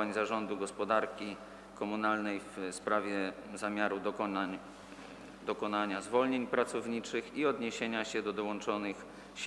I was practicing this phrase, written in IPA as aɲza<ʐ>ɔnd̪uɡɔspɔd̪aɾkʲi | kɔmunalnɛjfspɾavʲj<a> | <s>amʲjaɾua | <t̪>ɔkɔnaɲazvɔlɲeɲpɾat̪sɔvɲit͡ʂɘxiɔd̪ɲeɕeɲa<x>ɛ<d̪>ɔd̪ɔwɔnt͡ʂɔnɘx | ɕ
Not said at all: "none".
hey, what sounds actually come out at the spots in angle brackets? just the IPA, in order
ʐ, ɛ, z, d̪, ɕ, d̪

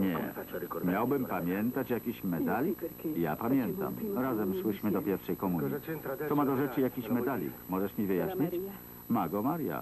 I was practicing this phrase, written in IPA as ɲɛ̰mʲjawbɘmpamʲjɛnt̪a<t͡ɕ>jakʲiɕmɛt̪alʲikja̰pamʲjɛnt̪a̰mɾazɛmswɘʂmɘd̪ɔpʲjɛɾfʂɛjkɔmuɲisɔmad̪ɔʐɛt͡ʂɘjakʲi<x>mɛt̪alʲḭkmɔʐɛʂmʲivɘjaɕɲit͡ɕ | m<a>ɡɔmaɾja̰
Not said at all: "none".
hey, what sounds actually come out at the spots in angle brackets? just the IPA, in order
t͡ɕ, ɕ, a

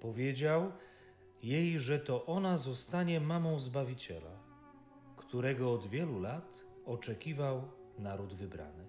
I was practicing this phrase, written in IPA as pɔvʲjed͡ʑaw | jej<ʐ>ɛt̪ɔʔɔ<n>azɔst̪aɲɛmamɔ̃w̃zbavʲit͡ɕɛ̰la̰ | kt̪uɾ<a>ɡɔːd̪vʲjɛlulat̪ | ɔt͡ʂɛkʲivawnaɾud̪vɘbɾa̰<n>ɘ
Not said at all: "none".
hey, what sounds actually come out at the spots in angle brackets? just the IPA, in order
ʐ, n, ɛ, n

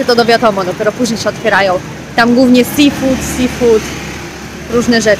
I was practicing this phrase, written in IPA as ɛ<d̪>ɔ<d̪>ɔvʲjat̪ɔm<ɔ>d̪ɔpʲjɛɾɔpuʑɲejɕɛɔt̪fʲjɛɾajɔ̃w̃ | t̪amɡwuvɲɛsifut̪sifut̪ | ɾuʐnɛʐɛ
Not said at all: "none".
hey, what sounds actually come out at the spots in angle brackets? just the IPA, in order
t̪, d̪, ɔ

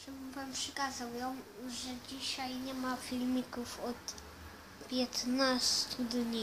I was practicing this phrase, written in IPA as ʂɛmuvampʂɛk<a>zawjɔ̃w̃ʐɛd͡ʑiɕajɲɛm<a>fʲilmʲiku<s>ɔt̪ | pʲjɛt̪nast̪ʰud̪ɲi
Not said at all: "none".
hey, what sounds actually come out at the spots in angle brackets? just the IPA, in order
a, a, f

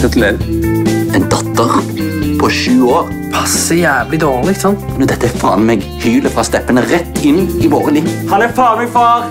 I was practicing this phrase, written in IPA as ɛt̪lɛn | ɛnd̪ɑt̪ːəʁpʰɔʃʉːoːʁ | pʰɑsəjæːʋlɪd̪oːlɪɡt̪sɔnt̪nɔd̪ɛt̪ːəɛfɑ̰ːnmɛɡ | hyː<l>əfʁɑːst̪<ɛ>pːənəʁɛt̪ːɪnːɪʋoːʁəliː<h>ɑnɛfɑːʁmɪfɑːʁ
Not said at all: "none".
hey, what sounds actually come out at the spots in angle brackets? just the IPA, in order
l, ɛ, h

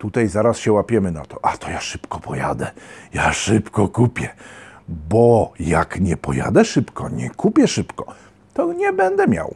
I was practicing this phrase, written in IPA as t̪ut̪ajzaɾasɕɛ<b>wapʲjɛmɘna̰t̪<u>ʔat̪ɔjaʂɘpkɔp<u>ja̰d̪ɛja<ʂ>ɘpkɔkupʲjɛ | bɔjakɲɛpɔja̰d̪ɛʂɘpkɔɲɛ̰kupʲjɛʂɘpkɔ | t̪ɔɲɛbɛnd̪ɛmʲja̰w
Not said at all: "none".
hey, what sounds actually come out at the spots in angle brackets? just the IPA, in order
none, ɔ, ɔ, ʂ

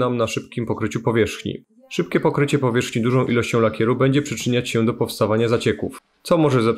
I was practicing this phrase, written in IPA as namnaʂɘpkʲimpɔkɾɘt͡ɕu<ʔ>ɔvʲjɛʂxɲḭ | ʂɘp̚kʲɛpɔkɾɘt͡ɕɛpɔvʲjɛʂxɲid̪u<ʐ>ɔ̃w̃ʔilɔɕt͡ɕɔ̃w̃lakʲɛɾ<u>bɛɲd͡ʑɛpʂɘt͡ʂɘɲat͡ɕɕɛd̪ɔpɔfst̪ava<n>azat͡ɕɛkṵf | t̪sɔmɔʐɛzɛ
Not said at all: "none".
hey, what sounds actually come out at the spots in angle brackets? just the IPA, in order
p, ʐ, u, ɲ

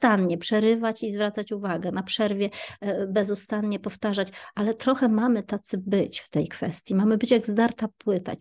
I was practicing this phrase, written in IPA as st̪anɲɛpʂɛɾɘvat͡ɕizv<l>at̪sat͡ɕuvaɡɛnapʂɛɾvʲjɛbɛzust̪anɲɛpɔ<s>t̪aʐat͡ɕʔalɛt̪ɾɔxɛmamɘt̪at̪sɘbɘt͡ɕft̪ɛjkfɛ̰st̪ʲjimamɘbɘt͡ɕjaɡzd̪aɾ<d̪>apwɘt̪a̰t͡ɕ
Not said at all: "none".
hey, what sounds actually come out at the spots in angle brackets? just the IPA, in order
ɾ, f, t̪

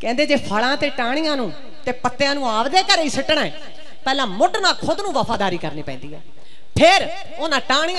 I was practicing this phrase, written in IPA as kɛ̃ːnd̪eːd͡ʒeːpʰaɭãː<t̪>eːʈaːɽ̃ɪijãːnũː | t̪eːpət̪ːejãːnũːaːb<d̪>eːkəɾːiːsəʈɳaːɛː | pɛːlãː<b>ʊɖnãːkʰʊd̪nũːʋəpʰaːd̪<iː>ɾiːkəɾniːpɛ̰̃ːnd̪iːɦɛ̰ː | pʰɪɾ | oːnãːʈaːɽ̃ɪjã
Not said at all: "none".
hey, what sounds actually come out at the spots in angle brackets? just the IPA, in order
t̪, d̪, m, aː

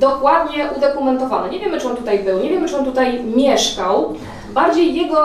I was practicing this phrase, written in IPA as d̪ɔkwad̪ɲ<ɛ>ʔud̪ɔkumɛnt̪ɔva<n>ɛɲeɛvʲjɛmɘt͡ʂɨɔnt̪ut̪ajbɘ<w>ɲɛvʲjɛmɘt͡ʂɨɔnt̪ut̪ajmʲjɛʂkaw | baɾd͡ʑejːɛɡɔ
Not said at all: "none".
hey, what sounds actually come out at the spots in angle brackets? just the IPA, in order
ɛ, n, w

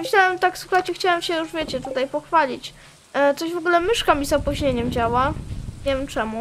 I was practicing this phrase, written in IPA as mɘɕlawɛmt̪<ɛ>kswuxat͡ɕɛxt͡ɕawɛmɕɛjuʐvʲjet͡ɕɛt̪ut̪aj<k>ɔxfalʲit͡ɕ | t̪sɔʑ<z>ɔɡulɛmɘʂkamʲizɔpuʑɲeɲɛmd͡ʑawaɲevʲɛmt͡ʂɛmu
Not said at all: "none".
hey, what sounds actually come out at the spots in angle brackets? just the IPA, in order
a, p, v

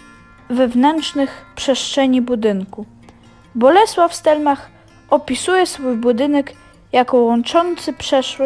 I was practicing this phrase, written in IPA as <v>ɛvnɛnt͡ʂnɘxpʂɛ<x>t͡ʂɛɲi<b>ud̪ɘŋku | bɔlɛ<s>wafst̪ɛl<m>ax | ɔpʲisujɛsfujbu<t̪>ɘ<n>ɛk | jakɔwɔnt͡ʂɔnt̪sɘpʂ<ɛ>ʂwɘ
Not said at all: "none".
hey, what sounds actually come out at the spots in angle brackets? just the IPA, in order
v, ʂ, b, s, m, d̪, n, ɛ

